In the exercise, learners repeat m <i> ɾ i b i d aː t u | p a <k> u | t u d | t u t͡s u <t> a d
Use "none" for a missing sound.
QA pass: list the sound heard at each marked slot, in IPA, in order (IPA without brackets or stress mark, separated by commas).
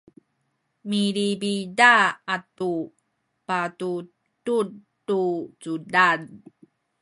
i, t, d